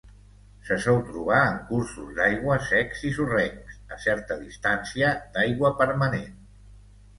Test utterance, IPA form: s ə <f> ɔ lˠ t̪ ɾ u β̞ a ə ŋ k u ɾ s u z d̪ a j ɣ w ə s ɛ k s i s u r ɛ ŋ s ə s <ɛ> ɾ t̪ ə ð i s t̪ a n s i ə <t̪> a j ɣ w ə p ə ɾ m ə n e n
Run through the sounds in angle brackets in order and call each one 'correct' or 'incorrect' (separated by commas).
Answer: incorrect, correct, incorrect